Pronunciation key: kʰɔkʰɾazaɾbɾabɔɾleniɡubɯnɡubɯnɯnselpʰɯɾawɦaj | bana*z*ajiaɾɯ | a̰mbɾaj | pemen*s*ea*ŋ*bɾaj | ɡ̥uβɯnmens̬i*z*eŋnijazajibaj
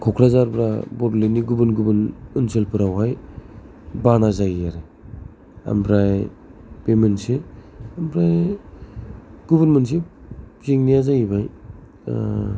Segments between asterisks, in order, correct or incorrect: correct, correct, incorrect, correct

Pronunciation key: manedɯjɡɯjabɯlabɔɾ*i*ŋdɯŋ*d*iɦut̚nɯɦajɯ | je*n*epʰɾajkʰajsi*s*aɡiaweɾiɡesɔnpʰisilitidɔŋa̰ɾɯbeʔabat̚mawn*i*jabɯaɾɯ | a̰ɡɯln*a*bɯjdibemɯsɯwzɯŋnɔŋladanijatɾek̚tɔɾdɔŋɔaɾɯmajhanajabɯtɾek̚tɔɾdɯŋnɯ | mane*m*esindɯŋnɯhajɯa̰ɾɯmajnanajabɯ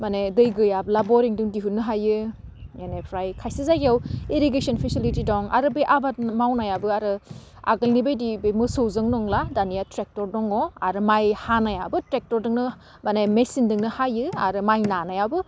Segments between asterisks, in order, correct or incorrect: correct, correct, correct, incorrect, incorrect, incorrect, correct

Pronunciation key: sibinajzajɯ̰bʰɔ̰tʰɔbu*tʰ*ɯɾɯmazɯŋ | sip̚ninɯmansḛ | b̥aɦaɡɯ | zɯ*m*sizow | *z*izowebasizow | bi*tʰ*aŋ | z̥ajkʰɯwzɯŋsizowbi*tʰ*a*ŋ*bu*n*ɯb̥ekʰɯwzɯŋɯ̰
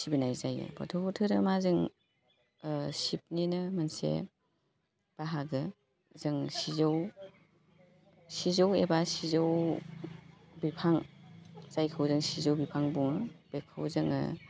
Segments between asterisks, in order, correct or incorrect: correct, incorrect, incorrect, incorrect, incorrect, correct, incorrect

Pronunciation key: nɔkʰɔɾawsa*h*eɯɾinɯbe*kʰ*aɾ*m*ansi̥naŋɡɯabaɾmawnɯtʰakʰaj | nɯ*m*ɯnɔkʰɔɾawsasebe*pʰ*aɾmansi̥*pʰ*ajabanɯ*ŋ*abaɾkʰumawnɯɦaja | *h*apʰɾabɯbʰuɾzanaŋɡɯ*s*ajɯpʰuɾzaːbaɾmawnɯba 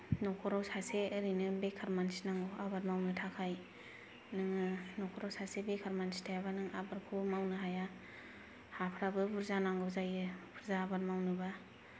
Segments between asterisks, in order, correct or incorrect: incorrect, correct, correct, incorrect, incorrect, incorrect, correct, correct, incorrect

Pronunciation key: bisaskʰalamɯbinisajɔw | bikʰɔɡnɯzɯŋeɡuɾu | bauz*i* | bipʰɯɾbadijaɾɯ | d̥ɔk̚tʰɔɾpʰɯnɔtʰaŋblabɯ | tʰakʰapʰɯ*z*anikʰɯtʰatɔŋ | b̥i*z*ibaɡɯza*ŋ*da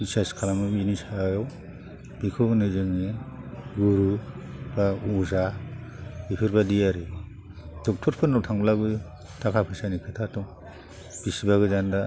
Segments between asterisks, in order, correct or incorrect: incorrect, incorrect, incorrect, incorrect

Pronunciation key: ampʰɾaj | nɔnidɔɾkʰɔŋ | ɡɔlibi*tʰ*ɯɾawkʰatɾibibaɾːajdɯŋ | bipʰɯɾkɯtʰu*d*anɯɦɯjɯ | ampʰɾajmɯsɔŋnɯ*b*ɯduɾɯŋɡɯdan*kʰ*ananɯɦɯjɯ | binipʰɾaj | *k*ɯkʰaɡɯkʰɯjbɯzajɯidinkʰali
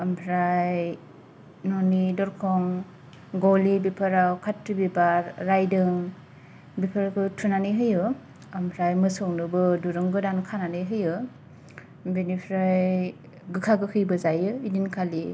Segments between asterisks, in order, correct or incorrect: incorrect, incorrect, correct, correct, incorrect

